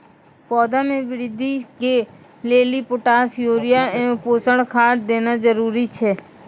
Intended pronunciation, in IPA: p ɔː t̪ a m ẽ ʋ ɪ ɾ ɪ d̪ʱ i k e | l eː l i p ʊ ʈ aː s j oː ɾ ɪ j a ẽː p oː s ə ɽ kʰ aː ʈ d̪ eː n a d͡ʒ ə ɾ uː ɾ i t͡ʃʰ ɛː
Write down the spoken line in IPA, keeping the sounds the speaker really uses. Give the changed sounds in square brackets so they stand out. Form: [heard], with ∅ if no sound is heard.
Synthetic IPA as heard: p ɔː [d̪] a m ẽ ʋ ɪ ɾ ɪ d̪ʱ i k e | l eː l i p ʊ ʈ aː s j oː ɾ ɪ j a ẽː p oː s ə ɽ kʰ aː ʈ d̪ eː n a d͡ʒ ə ɾ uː ɾ i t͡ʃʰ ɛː